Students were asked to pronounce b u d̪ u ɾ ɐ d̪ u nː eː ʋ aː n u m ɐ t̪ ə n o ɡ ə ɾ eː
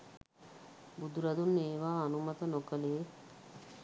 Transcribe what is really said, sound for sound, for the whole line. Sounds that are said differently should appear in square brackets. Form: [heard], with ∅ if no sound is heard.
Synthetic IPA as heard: b u d̪ u ɾ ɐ d̪ u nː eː ʋ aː n u m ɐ t̪ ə n o [k] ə [l] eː